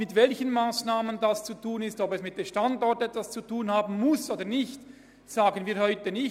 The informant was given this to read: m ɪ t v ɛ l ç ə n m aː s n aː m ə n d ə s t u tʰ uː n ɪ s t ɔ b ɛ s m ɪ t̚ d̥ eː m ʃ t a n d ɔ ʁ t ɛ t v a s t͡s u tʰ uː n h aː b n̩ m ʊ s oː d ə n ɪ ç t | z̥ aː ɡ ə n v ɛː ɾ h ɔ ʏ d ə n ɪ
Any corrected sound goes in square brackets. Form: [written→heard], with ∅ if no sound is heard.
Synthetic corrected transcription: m ɪ t v ɛ l ç ə n m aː s n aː m ə n d [ə→a] s [t→t͡s] u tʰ uː n ɪ s t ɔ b ɛ s m ɪ t̚ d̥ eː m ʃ t a n d ɔ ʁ t ɛ t v a s t͡s u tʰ uː n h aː b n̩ m ʊ s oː d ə n ɪ ç t | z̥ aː ɡ ə n v [ɛː→iː] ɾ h ɔ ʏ [d→t] ə n ɪ